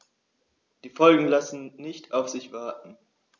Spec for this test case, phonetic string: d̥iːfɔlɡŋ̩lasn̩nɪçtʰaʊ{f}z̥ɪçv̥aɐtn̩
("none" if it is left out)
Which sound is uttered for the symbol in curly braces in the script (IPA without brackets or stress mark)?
f